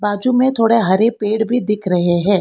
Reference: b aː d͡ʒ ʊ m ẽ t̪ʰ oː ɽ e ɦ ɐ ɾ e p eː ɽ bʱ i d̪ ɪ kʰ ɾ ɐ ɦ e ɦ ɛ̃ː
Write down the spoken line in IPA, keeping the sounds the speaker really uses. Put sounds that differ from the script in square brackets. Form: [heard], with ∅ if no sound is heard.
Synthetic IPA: b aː d͡ʒ [u] m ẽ t̪ʰ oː ɽ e ɦ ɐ ɾ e p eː ɽ bʱ i d̪ ɪ kʰ ɾ ɐ ɦ e ɦ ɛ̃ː

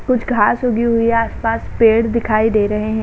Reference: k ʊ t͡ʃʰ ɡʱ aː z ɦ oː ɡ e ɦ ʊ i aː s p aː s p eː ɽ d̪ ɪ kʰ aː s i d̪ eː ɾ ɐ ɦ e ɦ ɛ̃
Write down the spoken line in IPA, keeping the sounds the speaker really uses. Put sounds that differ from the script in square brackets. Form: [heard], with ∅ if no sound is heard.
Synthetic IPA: k ʊ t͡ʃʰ ɡʱ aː [s] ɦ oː ɡ [i] ɦ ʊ i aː s p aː s p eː ɽ d̪ ɪ kʰ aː [∅] i d̪ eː ɾ ɐ ɦ e ɦ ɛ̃

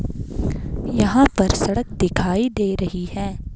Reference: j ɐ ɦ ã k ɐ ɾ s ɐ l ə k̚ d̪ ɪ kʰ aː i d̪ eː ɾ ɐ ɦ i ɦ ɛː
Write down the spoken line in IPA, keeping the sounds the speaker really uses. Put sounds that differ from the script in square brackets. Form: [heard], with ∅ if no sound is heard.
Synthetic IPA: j ɐ ɦ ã [p] ɐ ɾ s ɐ [ɽ] ə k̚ d̪ ɪ kʰ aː i d̪ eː ɾ ɐ ɦ i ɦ ɛː

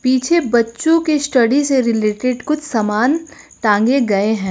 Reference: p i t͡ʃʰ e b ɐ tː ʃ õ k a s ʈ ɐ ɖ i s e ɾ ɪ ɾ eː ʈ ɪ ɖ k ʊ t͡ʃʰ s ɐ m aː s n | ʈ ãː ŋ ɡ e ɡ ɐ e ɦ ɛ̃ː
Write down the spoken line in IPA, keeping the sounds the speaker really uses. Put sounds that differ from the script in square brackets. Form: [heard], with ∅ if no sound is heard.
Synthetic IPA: p [iː] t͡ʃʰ e b ɐ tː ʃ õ k [e] s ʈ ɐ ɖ i s e ɾ ɪ [l] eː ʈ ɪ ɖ k ʊ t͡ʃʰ s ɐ m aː [∅] n | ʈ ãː ŋ ɡ e ɡ ɐ e ɦ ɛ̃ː

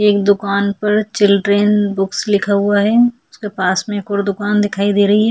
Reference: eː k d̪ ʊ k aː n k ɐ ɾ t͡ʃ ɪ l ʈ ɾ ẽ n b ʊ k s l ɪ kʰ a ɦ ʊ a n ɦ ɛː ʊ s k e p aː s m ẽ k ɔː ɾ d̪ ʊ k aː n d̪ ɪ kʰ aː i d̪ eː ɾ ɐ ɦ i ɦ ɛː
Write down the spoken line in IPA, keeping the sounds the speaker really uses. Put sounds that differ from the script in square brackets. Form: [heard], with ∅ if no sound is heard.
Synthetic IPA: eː k d̪ ʊ k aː n [p] ɐ ɾ t͡ʃ ɪ l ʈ ɾ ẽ n b ʊ k s l ɪ kʰ a ɦ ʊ a [∅] ɦ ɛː ʊ s k e p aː s m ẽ k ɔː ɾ d̪ ʊ k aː n d̪ ɪ kʰ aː i d̪ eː ɾ ɐ ɦ i ɦ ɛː

